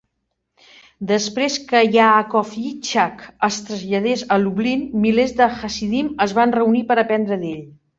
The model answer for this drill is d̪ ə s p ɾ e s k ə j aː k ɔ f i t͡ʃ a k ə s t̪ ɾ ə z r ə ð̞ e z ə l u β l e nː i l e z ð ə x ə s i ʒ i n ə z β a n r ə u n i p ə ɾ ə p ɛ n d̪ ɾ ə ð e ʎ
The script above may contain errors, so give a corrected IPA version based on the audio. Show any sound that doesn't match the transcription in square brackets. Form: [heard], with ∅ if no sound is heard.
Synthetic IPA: d̪ ə s p ɾ e s k ə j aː k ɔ f i t͡ʃ a k ə s t̪ ɾ ə z [ʎ] ə ð̞ e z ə l u β l [i] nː i l e z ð ə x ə s i [ð] i [m] ə z β a n r ə u n i p ə ɾ ə p ɛ n d̪ ɾ ə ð e ʎ